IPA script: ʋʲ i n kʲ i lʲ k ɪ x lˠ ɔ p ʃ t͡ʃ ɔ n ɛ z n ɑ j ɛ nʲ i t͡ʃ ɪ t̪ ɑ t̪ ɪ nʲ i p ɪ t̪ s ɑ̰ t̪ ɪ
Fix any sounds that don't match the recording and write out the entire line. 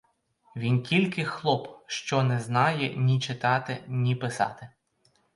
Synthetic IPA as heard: ʋʲ i n kʲ i lʲ k ɪ x lˠ ɔ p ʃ t͡ʃ ɔ n ɛ z n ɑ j ɛ nʲ i t͡ʃ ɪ t̪ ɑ t̪ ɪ nʲ i p ɪ s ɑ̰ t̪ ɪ